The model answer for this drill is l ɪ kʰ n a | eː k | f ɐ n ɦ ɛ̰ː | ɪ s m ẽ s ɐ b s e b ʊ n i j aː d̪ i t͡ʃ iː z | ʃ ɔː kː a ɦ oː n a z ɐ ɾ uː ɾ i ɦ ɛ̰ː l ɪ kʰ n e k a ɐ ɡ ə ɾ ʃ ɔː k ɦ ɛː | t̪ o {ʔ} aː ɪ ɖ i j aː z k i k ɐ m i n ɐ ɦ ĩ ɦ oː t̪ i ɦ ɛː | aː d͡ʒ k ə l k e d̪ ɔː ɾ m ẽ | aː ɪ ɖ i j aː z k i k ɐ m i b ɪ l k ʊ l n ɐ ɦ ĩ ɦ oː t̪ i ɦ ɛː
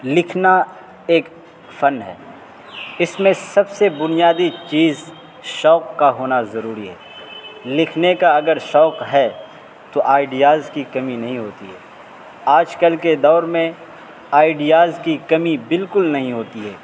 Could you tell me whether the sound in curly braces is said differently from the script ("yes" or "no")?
no